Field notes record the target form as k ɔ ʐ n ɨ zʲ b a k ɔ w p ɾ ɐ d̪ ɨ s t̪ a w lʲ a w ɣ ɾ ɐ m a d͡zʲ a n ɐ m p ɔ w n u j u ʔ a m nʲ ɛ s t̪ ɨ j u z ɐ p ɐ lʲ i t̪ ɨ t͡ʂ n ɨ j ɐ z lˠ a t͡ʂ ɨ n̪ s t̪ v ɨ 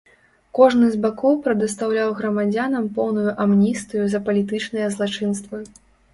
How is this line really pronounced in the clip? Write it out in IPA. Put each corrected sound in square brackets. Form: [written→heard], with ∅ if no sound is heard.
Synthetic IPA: k ɔ ʐ n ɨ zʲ b a k ɔ w p ɾ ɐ d̪ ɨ s t̪ a w lʲ a w ɣ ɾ ɐ m a d͡zʲ a n ɐ m p ɔ w n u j u ʔ a m nʲ [ɛ→i] s t̪ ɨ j u z ɐ p ɐ lʲ i t̪ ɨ t͡ʂ n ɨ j ɐ z lˠ a t͡ʂ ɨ n̪ s t̪ v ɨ